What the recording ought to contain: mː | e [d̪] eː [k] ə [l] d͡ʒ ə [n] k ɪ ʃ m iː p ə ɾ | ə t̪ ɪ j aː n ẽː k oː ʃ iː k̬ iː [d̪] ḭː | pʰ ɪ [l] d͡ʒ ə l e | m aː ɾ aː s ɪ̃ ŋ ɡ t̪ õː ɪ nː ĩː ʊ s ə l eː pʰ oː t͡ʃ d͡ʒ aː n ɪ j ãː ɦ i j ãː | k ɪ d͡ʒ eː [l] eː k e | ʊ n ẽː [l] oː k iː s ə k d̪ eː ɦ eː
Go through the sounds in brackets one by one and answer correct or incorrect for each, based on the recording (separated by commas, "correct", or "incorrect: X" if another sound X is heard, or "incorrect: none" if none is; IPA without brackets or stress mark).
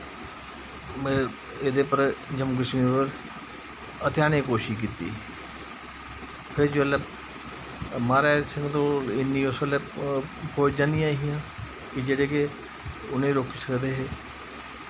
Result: correct, incorrect: p, incorrect: ɾ, incorrect: m, incorrect: t̪, incorrect: ɾ, incorrect: ɽ, incorrect: ɾ